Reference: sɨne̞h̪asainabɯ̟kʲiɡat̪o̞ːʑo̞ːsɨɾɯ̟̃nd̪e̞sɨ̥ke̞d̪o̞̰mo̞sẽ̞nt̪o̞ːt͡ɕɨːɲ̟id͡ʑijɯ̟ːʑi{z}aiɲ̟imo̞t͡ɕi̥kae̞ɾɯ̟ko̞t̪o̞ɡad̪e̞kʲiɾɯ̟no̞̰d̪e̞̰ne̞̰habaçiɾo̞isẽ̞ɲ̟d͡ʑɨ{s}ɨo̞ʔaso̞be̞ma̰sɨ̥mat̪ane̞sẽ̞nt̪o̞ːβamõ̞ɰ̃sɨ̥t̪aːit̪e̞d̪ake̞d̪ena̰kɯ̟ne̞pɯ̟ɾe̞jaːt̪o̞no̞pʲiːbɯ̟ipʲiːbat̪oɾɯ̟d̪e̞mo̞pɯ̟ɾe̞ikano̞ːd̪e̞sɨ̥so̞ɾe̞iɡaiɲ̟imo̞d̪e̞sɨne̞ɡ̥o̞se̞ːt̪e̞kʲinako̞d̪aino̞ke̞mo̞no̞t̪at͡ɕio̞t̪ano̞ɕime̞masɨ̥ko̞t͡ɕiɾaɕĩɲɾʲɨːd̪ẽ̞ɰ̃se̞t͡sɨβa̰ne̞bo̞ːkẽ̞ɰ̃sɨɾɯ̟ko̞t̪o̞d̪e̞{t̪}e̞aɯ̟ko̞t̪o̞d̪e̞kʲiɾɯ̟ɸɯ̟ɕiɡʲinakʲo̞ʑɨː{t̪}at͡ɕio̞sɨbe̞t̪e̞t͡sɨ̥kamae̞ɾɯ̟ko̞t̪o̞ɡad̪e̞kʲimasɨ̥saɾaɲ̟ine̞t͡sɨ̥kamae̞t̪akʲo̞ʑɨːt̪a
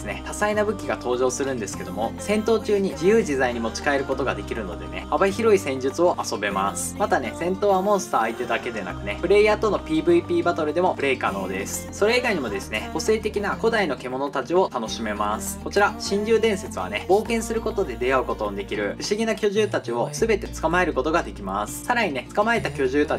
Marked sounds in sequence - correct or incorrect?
correct, incorrect: t͡s, incorrect: d̪, correct

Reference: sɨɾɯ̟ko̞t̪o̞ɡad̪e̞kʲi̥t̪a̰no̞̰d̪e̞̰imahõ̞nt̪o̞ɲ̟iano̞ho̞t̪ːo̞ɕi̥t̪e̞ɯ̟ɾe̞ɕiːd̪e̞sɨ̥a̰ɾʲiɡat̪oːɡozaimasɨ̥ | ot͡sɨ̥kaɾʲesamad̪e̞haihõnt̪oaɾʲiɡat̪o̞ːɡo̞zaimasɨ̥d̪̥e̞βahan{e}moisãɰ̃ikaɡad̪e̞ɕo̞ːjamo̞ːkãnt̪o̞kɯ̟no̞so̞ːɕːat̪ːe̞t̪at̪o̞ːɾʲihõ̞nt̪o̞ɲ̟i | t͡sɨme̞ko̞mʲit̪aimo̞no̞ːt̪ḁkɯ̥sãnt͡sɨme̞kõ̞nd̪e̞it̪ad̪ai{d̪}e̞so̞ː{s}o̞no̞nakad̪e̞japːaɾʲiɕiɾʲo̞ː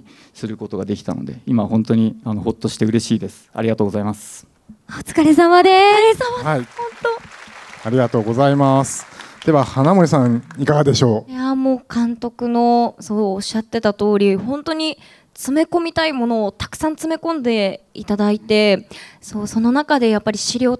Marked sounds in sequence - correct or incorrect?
incorrect: a, incorrect: t̪, correct

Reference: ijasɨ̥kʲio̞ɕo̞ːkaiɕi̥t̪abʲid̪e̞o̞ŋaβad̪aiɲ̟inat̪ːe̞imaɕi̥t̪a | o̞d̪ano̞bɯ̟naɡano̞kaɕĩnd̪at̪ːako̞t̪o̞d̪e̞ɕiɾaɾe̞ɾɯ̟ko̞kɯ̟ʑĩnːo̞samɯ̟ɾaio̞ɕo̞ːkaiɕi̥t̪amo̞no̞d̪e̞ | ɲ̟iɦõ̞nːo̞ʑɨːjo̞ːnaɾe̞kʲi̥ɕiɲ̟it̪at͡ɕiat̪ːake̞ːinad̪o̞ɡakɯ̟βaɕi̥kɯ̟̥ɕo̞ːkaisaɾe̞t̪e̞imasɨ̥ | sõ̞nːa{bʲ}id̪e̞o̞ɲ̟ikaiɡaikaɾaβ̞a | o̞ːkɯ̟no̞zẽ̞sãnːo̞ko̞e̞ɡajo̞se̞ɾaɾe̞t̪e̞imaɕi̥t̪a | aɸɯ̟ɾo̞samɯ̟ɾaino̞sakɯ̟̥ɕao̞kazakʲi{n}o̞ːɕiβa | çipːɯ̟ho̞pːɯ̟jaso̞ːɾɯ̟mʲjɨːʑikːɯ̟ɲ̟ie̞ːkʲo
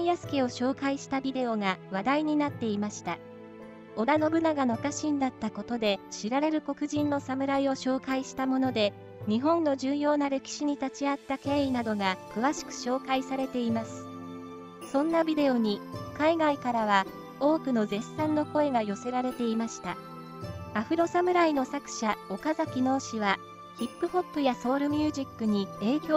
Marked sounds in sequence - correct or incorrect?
correct, correct

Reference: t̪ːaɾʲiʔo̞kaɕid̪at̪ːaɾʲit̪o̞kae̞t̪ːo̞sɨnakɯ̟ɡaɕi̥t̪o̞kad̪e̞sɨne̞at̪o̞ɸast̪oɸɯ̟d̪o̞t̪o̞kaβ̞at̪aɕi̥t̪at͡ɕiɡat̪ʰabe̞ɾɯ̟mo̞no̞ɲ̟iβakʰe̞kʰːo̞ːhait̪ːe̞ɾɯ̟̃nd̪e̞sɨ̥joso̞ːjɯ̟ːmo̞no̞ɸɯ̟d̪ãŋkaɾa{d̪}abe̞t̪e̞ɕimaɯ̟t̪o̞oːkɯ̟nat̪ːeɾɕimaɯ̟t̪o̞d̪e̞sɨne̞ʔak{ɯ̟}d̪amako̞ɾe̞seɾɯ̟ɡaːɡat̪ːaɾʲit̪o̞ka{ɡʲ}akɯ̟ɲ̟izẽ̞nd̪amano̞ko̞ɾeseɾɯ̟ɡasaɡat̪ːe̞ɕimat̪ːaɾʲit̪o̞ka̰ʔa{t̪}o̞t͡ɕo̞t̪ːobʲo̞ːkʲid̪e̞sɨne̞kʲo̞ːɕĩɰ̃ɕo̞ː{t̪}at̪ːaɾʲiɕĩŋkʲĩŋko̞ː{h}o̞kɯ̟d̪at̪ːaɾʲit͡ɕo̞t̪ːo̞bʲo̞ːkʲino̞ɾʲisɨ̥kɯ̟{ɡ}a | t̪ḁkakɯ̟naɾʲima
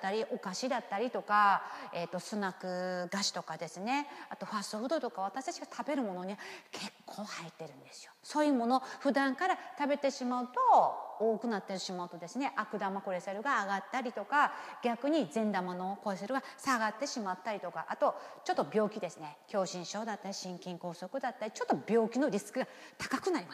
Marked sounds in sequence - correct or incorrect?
incorrect: t̪, correct, correct, correct, incorrect: d̪, incorrect: s, correct

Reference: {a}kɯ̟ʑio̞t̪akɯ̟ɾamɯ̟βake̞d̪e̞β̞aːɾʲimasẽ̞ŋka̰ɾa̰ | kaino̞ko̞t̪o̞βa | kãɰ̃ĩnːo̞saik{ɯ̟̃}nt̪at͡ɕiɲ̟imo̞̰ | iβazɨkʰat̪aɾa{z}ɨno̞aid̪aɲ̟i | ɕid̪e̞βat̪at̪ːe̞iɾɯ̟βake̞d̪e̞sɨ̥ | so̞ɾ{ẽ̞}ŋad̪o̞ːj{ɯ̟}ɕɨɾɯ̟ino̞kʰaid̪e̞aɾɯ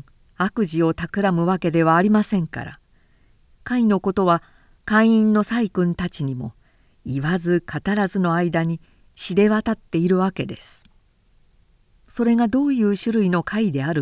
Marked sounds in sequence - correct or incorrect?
correct, correct, correct, incorrect: e̞, incorrect: ɯ̟ː

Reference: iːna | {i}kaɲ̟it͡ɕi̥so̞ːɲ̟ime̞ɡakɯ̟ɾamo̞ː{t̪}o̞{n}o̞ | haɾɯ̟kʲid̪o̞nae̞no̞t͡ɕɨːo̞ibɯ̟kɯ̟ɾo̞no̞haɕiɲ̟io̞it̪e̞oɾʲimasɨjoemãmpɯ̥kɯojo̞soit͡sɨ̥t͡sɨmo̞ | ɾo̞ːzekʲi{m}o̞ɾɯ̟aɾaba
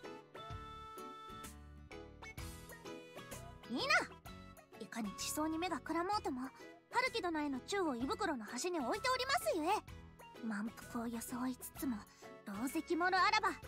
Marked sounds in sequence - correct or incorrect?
correct, correct, incorrect: m, correct

